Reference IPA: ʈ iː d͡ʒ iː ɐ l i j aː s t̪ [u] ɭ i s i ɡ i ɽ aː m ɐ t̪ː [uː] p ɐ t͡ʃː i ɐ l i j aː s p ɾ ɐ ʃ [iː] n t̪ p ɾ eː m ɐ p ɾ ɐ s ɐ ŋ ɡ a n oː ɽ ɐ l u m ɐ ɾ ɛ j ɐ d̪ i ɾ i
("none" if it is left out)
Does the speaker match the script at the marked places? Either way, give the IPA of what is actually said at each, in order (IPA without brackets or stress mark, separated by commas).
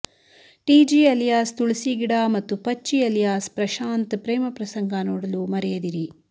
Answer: u, u, aː